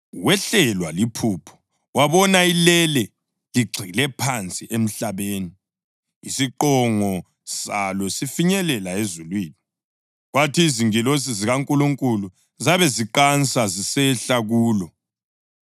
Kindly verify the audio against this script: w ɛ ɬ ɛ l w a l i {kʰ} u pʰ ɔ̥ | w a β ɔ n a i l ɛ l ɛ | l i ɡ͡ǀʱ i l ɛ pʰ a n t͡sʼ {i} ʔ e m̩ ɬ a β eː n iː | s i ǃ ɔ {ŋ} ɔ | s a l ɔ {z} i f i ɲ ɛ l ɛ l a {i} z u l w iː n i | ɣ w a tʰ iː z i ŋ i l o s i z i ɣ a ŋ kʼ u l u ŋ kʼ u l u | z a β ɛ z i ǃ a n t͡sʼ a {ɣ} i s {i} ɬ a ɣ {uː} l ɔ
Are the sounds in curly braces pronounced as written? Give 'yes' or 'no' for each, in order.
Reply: no, yes, yes, no, no, no, no, yes

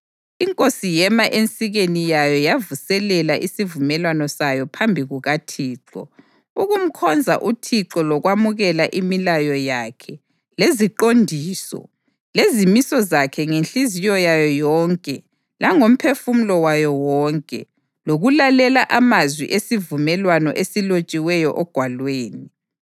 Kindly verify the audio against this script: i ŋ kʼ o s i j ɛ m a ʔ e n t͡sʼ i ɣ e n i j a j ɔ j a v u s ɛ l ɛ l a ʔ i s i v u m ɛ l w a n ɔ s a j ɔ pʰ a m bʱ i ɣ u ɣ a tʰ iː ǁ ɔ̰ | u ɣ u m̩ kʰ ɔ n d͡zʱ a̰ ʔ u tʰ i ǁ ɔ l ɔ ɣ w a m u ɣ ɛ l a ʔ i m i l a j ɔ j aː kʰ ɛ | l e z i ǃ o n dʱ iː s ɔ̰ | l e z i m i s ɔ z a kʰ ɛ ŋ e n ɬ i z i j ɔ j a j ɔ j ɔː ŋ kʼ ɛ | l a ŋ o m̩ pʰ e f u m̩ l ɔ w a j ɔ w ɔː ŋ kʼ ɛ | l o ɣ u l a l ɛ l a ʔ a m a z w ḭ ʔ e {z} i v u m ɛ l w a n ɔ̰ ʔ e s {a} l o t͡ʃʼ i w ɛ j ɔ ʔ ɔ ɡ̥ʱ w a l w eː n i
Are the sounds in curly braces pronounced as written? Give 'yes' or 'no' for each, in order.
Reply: no, no

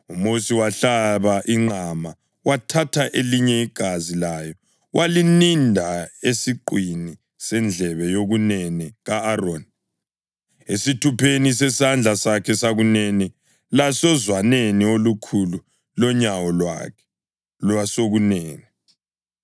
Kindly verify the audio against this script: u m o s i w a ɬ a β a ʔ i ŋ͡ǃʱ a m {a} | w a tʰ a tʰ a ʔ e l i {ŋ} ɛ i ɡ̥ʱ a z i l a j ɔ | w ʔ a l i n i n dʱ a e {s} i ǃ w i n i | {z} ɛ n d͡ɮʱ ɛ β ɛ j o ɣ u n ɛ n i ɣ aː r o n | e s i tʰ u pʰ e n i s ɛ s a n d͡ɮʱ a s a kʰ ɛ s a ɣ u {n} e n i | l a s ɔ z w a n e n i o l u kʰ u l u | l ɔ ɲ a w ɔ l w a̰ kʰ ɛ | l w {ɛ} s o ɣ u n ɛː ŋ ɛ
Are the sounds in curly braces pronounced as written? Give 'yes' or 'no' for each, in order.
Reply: yes, no, yes, no, yes, no

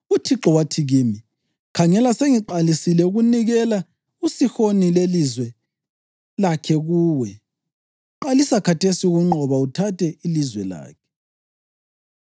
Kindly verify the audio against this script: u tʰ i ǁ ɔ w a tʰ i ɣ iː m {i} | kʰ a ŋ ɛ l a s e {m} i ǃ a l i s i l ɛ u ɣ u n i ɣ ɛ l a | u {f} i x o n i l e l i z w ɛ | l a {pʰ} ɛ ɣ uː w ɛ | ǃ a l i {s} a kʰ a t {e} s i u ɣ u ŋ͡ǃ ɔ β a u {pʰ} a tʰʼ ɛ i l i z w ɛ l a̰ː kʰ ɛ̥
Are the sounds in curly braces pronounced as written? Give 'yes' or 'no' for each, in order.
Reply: yes, no, no, no, yes, yes, no

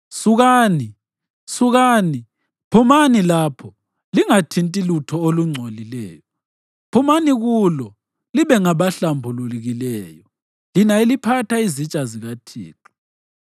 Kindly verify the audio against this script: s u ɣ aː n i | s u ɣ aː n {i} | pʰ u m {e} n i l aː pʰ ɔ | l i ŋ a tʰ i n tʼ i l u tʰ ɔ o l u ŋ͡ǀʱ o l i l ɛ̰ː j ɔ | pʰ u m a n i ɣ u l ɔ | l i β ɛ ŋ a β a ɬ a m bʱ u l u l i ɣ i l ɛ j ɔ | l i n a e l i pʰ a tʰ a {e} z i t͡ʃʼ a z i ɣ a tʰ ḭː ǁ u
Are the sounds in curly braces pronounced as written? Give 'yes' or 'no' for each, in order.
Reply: yes, no, no

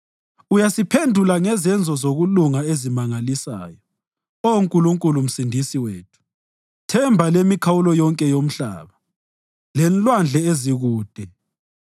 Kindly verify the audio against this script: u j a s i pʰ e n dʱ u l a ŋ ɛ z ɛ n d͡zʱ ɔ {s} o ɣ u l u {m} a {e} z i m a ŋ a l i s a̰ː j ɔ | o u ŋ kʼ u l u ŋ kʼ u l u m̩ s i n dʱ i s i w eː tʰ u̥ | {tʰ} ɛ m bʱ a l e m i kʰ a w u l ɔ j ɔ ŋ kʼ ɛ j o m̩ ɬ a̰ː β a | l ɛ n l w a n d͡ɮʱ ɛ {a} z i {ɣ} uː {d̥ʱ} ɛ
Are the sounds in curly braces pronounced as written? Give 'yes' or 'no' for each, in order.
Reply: no, no, yes, yes, no, yes, yes

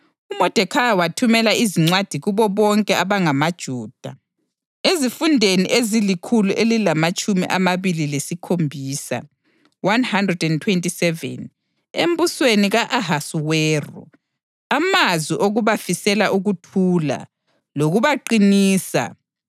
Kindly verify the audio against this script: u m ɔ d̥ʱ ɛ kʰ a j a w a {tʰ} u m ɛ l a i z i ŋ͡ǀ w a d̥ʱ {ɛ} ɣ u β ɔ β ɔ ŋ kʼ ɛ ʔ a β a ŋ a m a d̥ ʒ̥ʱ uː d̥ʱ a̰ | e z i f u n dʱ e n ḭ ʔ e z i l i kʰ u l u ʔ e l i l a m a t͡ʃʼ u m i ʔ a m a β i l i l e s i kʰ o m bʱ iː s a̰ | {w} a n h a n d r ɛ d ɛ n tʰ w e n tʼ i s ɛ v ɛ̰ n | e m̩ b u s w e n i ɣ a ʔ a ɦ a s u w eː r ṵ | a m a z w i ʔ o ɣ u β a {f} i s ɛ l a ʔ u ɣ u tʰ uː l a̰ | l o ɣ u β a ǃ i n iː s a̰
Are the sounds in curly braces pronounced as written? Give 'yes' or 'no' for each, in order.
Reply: yes, no, yes, yes

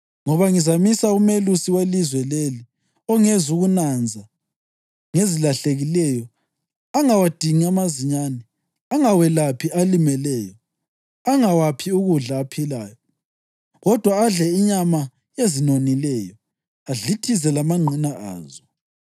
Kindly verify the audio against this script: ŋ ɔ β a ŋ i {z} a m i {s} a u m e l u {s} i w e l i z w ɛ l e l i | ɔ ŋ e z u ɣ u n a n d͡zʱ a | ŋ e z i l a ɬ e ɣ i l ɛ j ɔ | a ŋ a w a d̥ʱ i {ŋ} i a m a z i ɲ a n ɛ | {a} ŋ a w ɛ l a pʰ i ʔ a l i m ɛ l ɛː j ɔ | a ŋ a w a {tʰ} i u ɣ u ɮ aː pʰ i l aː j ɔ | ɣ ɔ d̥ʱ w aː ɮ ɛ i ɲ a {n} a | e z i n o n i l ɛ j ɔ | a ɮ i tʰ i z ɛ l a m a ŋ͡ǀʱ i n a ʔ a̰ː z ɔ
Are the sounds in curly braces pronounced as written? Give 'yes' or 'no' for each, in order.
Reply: yes, yes, yes, yes, yes, no, no

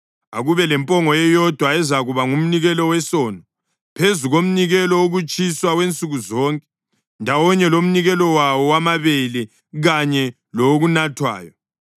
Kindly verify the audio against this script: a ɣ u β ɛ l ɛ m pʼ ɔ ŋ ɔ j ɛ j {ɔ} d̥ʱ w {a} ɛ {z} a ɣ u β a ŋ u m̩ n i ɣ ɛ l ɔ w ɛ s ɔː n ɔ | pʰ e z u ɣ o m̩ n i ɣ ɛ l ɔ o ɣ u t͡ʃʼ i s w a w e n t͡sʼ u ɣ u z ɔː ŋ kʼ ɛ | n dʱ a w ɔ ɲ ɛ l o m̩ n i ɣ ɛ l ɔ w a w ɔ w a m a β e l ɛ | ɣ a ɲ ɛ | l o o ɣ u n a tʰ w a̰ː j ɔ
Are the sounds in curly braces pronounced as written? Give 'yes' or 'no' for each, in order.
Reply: yes, yes, yes

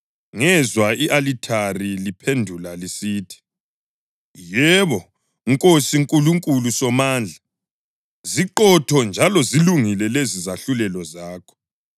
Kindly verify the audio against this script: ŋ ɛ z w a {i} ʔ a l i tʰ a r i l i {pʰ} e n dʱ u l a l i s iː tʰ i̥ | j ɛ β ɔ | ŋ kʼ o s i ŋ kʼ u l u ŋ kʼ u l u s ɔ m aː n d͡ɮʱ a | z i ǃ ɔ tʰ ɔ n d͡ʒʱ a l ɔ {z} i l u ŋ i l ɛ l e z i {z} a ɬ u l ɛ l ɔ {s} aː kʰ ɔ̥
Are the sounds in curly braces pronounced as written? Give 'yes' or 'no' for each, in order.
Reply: yes, yes, yes, yes, no

